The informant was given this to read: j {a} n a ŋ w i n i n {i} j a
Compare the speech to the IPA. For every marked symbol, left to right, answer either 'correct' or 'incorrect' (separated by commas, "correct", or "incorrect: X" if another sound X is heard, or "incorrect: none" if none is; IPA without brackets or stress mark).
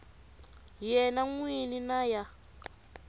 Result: incorrect: ɛ, incorrect: a